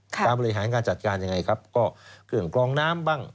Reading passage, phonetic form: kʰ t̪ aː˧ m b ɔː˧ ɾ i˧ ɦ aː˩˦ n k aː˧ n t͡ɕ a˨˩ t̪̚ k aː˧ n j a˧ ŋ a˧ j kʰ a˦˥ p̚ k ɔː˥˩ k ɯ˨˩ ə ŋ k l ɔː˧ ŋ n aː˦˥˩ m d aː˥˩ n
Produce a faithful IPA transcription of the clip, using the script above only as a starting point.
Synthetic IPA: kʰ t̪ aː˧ m b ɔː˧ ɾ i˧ ɦ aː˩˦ n k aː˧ n t͡ɕ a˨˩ t̪̚ k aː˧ n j a˧ ŋ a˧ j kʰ a˦˥ p̚ k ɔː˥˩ k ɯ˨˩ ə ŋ k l ɔː˧ ŋ n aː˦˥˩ m b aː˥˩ ŋ

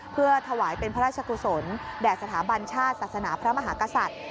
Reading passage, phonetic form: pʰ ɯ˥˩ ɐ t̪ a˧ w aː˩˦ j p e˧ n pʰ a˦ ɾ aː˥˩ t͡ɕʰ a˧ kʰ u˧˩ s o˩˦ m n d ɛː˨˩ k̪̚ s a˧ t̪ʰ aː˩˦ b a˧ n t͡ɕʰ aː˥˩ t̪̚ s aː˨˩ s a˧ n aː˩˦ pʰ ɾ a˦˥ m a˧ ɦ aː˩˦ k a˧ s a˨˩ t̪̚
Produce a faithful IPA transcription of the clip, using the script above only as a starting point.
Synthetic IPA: pʰ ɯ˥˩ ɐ t̪ʰ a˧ w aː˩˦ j p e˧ n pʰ a˦ ɾ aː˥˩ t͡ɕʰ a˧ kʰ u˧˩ s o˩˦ n d ɛː˨˩ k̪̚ s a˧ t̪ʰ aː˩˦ b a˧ n t͡ɕʰ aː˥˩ t̪̚ s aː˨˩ s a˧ n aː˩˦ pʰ ɾ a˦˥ m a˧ ɦ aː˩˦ k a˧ s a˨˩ t̪̚

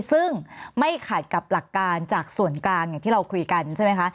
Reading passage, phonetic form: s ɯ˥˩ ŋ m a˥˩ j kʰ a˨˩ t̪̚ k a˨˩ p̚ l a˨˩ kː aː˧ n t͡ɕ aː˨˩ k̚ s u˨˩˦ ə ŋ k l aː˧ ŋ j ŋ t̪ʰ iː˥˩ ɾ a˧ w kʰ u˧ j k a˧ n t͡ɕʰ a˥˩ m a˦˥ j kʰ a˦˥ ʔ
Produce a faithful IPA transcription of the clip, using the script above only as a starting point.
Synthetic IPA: s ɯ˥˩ ŋ m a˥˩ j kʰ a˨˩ t̪̚ k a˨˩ p̚ l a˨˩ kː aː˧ n t͡ɕ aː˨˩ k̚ s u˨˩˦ ə n k l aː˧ ŋ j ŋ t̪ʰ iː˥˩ ɾ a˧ w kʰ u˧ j k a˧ n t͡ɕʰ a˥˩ m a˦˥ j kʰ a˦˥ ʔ

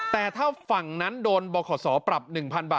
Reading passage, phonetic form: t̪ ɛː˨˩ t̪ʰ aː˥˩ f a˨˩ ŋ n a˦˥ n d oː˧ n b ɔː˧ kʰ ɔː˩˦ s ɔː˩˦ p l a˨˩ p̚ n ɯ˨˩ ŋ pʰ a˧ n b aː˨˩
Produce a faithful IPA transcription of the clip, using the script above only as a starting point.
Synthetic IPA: t̪ ɛː˨˩ t̪ʰ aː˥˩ f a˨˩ ŋ n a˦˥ n d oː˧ n b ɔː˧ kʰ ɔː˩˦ s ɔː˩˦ p ɾ a˨˩ p̚ n ɯ˨˩ ŋ pʰ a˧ n b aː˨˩

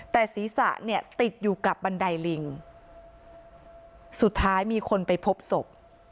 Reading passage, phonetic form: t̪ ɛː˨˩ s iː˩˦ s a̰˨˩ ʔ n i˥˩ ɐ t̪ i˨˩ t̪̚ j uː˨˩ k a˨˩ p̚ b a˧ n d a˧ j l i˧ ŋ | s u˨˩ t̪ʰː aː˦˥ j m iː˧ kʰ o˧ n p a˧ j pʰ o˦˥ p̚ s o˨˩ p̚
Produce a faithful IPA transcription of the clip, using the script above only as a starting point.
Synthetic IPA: t̪ ɛː˨˩ s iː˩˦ s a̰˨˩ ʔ n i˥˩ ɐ t̪ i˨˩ t̪̚ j uː˨˩ k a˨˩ p̚ b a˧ n d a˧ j l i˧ ŋ | s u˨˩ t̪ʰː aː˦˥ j m iː˧ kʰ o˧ n p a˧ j pʰ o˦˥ p̚ s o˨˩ p̚

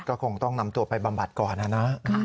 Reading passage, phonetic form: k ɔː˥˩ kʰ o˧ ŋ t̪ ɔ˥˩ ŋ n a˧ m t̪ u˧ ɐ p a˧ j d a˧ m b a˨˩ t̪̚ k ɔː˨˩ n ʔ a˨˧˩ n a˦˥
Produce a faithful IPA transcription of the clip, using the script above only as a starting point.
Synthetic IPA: k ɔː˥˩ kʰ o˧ ŋ t̪ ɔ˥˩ ŋ n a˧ m t̪ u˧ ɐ p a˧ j b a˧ m b a˨˩ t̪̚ k ɔː˨˩ n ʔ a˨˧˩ n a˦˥

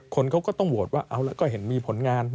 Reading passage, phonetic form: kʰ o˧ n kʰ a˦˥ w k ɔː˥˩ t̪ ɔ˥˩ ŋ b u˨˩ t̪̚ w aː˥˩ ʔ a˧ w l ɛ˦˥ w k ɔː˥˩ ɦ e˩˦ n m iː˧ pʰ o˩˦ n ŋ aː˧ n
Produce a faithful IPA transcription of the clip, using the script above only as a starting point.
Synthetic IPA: kʰ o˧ n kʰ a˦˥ w k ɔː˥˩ t̪ ɔ˥˩ ŋ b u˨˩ t̪̚ w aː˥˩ ʔ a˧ w l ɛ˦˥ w k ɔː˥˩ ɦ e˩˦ n m iː˧ pʰ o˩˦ n ŋ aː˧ n

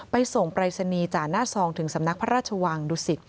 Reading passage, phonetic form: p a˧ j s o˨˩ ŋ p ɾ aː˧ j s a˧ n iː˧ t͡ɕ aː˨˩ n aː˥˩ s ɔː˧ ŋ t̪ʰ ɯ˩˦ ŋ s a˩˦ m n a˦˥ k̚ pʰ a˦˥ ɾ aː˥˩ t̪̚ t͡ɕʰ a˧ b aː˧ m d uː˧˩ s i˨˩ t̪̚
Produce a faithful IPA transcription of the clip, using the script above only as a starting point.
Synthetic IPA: p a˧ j s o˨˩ ŋ p ɾ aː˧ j s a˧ n iː˧ t͡ɕ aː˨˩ n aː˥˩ s ɔː˧ ŋ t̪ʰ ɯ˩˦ ŋ s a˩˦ m n a˦˥ k̚ pʰ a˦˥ ɾ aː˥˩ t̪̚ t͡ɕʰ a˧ w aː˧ ŋ d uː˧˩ s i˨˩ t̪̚

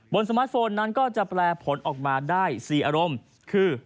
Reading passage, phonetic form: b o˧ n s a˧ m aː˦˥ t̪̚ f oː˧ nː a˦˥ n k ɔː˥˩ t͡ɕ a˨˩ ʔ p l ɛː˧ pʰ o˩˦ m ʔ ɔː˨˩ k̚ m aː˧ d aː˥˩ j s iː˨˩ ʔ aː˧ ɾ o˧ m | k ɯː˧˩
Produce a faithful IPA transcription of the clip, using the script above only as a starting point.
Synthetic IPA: b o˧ n s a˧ m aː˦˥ t̪̚ f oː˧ nː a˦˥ n k ɔː˥˩ t͡ɕ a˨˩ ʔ p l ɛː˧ pʰ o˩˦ n ʔ ɔː˨˩ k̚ m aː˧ d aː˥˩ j s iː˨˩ ʔ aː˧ ɾ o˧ m | kʰ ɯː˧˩

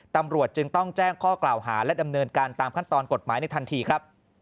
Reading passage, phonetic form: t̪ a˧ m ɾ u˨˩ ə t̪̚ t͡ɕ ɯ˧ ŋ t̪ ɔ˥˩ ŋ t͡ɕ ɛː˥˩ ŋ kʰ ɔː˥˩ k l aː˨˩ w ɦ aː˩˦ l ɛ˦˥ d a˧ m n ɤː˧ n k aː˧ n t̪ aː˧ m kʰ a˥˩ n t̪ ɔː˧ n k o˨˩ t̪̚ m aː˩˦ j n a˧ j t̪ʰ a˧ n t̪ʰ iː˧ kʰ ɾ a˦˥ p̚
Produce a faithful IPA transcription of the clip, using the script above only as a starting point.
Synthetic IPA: t̪ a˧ m ɾ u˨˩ ə t̪̚ t͡ɕ ɯ˧ ŋ t̪ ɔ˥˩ ŋ t͡ɕ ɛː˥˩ ŋ kʰ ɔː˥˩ k l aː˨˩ w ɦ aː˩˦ l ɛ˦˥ d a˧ m n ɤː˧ n k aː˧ n t̪ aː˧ m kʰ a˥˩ n t̪ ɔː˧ n k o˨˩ t̪̚ m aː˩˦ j n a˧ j t̪ʰ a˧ n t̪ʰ iː˧ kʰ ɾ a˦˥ p̚

